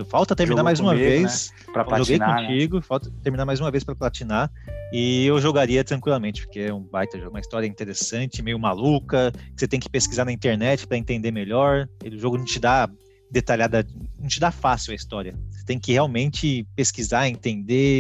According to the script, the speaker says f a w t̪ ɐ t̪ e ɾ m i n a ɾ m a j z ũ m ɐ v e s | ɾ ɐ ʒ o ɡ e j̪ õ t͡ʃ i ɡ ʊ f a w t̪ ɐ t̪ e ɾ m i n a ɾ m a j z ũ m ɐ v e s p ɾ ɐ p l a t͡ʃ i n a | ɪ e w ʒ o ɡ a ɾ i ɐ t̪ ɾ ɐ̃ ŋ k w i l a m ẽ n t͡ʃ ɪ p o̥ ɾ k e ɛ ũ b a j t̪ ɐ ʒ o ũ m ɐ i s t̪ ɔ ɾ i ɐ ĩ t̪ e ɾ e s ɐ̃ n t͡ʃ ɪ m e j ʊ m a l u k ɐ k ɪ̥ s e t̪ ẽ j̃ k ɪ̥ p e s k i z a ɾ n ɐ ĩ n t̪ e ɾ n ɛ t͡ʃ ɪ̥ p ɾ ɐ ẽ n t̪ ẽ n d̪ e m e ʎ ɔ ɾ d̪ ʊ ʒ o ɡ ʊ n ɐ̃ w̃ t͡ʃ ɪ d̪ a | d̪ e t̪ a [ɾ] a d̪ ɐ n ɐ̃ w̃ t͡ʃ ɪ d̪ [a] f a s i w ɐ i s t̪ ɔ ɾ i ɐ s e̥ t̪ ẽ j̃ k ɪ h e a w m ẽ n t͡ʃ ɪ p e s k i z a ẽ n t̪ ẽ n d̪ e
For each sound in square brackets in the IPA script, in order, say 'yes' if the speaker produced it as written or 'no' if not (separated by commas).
no, yes